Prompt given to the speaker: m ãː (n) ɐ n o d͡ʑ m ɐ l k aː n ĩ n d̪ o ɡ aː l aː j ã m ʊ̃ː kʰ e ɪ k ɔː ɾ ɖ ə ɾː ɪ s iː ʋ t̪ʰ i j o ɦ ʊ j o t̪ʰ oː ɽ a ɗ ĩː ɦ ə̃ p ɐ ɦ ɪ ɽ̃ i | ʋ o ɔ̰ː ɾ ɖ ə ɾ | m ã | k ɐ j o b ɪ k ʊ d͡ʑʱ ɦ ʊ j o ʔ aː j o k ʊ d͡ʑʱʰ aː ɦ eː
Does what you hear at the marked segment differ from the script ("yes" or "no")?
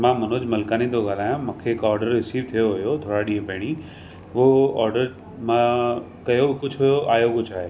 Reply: yes